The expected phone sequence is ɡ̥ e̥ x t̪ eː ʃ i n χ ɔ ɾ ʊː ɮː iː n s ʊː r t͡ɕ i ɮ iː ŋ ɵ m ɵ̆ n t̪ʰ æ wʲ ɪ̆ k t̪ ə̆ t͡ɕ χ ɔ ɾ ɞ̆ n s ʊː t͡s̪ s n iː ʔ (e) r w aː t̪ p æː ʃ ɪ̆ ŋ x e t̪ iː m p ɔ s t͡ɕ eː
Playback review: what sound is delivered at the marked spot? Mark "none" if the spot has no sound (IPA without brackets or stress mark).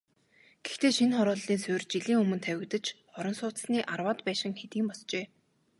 a